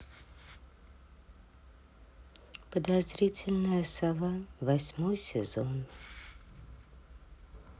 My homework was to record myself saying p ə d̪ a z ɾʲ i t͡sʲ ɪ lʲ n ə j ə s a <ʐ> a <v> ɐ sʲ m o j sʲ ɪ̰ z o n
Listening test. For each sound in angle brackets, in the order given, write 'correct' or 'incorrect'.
incorrect, correct

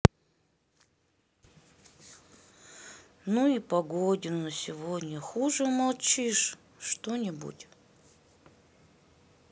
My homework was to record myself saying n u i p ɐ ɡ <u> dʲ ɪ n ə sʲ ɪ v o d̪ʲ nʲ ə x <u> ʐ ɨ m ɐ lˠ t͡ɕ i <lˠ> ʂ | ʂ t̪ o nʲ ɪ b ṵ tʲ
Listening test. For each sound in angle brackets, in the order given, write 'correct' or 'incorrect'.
incorrect, correct, incorrect

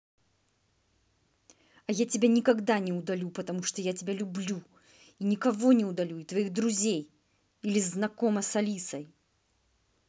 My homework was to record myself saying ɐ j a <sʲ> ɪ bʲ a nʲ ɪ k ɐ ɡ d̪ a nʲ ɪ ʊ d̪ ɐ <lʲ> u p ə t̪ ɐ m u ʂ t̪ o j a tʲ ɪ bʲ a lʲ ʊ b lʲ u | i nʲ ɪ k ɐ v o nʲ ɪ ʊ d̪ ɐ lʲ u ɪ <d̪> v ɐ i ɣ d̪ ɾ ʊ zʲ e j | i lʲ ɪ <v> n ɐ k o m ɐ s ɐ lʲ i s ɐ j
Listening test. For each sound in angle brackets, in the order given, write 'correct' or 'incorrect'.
incorrect, correct, incorrect, incorrect

